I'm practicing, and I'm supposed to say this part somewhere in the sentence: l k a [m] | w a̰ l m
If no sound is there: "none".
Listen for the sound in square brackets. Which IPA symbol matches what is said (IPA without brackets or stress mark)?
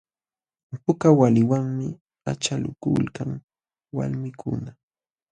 ŋ